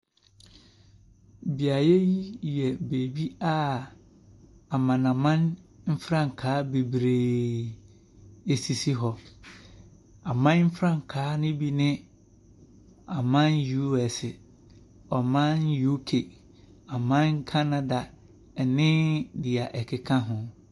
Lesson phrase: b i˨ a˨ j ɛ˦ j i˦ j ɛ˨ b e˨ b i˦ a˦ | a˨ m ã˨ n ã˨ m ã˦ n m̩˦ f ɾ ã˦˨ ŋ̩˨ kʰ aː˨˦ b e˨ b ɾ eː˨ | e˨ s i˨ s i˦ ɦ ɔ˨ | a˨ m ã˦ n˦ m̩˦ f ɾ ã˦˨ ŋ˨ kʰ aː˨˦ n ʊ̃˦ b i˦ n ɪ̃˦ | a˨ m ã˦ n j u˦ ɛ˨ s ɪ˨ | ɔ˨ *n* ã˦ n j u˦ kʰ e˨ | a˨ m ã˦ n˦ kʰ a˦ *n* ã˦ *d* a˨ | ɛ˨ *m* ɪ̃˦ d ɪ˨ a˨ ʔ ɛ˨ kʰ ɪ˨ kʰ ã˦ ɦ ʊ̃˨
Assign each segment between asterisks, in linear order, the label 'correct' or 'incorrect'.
incorrect: m, correct, correct, incorrect: n

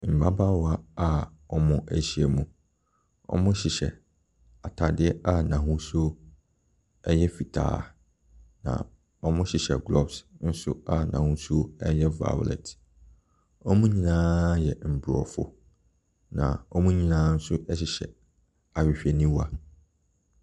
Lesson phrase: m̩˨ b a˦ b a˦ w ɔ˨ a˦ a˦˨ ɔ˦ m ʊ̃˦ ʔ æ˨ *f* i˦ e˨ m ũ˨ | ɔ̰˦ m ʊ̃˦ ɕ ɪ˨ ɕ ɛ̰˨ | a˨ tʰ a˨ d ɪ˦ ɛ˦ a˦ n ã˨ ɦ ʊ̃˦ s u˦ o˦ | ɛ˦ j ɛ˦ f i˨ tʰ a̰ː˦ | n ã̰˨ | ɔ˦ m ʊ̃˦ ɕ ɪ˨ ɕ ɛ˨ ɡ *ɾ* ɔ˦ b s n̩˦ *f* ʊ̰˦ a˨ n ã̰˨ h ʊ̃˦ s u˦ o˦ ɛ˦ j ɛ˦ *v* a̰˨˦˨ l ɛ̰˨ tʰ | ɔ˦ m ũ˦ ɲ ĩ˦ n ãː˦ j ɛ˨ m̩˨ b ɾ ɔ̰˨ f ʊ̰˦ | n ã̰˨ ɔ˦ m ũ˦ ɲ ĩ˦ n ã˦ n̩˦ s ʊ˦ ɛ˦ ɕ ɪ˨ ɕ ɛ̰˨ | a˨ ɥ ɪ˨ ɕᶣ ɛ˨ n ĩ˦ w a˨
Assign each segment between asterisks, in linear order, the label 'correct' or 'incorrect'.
incorrect: ɕ, incorrect: l, incorrect: s, correct

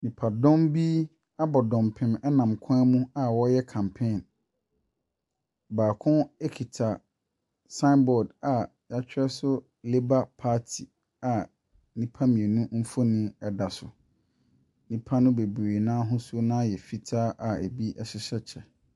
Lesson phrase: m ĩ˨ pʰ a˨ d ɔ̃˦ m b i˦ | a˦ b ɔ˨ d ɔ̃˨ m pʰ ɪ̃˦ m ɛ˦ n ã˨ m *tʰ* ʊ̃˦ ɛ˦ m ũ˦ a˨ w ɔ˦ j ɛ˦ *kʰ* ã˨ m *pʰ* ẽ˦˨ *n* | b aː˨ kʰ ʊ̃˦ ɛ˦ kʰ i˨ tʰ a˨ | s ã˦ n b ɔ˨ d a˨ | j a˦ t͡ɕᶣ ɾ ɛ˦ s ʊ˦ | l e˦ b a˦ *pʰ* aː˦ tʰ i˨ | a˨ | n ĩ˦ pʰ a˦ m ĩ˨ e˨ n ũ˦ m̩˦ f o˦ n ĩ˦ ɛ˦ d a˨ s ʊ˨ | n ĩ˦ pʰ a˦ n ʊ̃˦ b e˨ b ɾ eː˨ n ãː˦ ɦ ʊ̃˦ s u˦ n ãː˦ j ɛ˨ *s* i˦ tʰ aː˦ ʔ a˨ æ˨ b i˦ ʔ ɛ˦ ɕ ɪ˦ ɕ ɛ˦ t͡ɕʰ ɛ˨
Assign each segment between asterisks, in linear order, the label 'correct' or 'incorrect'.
incorrect: kʰ, correct, correct, correct, correct, incorrect: f

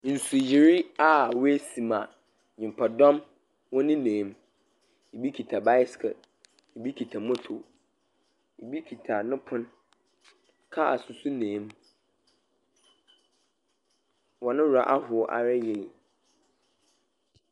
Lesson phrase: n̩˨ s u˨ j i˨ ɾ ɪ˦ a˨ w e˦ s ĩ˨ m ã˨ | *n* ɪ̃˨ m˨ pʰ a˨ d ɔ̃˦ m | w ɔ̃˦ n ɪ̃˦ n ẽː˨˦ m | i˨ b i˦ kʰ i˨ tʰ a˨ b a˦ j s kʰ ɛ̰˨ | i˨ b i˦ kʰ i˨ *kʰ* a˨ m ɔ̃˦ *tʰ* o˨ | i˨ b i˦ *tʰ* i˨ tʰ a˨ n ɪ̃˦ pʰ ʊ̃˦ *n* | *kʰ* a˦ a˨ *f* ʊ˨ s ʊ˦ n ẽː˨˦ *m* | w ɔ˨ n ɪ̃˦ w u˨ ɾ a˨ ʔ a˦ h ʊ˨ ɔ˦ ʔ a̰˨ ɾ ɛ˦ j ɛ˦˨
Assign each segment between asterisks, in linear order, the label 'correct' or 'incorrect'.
incorrect: ɲ, incorrect: tʰ, correct, incorrect: kʰ, correct, correct, incorrect: s, correct

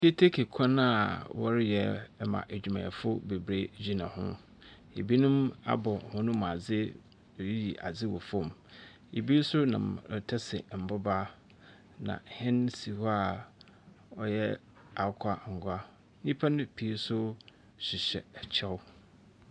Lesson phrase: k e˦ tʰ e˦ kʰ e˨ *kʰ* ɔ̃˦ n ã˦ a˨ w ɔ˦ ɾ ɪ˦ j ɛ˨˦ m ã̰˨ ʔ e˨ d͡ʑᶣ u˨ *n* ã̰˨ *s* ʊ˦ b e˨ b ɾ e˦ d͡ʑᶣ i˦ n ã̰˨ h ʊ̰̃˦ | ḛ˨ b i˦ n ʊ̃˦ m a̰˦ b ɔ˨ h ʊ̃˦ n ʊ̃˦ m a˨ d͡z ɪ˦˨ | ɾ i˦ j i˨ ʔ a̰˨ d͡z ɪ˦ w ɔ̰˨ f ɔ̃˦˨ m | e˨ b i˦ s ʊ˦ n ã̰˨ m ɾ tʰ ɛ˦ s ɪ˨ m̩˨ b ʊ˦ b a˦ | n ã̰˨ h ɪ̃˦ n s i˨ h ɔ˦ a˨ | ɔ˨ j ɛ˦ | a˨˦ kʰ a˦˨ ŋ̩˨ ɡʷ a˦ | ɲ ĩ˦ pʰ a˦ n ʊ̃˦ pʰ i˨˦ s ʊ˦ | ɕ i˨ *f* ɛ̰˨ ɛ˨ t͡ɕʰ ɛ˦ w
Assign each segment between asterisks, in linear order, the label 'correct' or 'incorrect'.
correct, incorrect: m, incorrect: f, incorrect: ɕ

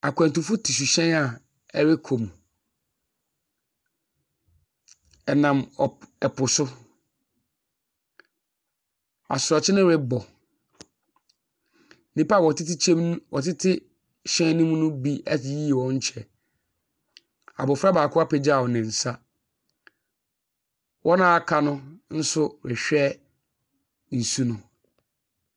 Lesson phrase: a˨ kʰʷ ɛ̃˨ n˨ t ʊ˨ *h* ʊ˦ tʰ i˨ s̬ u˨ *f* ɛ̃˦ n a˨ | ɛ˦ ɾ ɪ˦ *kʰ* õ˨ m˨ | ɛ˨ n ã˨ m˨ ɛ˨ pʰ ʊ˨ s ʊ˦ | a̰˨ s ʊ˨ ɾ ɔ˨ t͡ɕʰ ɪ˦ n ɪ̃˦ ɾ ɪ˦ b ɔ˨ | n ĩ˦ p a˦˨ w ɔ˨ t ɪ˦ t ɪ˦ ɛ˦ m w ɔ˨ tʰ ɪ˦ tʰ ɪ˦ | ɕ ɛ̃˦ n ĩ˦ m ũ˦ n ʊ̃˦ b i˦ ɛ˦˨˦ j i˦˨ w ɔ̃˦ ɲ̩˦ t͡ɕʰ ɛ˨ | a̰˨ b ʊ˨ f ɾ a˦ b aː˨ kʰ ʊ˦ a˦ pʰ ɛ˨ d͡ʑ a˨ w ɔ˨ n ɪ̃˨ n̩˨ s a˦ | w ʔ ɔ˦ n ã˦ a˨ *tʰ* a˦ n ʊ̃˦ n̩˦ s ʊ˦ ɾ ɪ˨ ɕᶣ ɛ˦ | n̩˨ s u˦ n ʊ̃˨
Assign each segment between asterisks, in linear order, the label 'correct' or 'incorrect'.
incorrect: f, incorrect: ɕ, correct, incorrect: kʰ

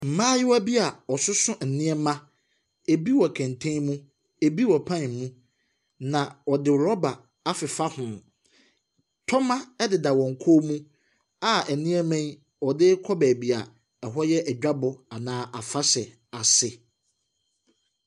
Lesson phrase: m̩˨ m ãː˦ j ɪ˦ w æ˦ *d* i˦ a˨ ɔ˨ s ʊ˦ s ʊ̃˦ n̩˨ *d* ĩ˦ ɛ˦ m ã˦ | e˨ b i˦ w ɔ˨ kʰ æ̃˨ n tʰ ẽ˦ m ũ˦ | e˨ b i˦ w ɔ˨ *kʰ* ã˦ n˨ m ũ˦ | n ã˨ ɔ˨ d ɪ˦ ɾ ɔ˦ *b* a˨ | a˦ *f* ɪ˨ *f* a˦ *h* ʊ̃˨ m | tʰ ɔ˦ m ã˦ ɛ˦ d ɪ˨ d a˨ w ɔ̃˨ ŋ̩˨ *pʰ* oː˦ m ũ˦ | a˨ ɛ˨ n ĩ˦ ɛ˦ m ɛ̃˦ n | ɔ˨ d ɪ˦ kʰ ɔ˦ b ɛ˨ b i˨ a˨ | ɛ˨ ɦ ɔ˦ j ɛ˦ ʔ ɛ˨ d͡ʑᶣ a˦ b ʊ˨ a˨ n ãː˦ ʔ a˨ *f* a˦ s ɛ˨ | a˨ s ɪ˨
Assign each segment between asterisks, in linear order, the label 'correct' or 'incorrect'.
incorrect: b, incorrect: n, incorrect: pʰ, correct, correct, correct, correct, incorrect: kʰ, correct

